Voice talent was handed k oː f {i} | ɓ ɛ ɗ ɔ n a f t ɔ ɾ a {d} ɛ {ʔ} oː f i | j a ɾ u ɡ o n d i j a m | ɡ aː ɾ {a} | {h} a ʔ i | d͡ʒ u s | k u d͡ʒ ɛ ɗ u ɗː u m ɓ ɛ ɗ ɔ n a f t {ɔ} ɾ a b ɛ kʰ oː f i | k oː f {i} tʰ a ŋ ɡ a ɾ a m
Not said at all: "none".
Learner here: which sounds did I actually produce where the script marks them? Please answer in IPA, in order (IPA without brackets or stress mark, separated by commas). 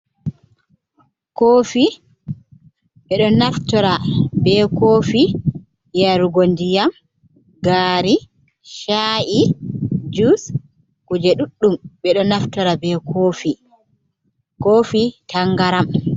i, b, k, i, ʃ, ɔ, i